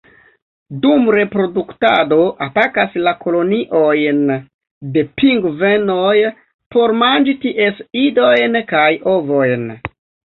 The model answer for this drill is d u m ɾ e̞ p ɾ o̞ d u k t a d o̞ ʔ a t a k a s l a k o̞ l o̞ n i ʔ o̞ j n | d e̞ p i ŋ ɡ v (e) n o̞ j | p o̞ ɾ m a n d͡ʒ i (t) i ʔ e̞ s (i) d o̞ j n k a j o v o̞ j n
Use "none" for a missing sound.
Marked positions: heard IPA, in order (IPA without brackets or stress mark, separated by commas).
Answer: e, t, i